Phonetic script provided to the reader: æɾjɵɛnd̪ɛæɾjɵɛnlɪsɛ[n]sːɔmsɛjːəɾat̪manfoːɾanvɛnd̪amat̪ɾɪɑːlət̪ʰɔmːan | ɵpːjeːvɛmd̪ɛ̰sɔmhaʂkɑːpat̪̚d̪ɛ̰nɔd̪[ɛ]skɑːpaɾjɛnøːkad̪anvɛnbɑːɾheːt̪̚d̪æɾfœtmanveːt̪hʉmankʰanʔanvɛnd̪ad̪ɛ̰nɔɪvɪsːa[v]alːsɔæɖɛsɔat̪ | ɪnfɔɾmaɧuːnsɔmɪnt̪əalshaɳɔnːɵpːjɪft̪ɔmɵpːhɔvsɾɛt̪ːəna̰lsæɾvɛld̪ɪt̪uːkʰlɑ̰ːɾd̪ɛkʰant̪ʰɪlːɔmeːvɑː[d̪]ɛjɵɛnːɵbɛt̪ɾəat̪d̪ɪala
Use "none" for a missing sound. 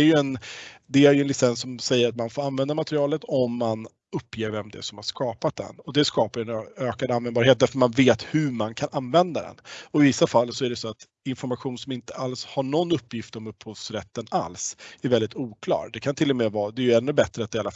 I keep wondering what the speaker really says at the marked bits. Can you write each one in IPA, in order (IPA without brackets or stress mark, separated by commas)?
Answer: n, ɛ, f, d̪